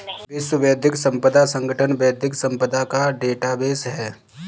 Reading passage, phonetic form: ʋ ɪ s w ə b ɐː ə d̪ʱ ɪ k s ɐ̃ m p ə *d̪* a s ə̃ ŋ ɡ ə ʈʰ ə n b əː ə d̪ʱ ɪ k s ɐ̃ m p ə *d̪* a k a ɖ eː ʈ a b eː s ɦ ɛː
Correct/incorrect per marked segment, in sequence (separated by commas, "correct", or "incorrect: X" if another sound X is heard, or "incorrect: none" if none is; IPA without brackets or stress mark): correct, correct